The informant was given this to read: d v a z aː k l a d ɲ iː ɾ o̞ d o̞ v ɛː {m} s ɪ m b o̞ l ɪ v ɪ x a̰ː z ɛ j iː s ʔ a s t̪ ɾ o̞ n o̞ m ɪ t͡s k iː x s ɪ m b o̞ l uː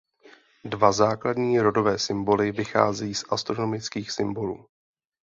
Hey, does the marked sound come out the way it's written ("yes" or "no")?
no